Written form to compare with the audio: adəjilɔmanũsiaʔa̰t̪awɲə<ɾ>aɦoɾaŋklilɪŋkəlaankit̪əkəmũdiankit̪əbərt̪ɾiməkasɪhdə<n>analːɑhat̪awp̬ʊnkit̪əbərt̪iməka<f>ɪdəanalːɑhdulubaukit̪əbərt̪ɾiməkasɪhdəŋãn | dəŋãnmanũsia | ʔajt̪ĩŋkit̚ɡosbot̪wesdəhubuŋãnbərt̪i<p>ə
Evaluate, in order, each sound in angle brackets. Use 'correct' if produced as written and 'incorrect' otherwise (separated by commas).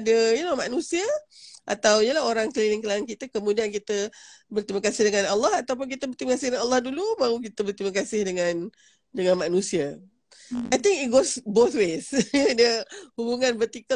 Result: incorrect, incorrect, incorrect, incorrect